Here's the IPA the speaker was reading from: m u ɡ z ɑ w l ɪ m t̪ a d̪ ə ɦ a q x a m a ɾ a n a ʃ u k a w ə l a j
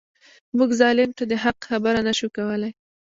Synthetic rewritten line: m u ɡ z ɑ l ɪ m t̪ a d̪ ə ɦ a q x a b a ɾ a n a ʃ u k a w ə l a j